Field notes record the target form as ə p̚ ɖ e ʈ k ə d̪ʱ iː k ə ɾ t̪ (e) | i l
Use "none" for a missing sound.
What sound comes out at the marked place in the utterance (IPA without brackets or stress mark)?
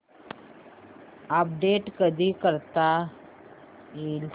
a